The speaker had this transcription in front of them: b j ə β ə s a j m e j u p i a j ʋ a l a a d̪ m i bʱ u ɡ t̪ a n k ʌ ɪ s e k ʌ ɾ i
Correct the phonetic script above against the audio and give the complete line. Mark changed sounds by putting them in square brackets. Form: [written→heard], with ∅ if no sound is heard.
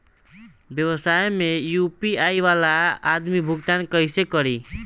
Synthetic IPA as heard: b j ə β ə s a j m e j u p i a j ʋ a l a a d̪ m i bʱ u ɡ t̪ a n k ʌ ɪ s e k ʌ ɾ i